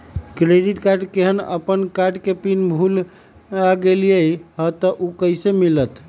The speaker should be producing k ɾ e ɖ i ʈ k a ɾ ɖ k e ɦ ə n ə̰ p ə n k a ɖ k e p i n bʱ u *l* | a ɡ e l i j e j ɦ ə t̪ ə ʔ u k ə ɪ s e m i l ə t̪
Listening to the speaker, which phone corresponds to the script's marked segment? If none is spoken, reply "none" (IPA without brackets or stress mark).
l